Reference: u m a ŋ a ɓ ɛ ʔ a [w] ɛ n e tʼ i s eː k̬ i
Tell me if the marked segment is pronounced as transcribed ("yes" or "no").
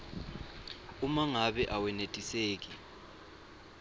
yes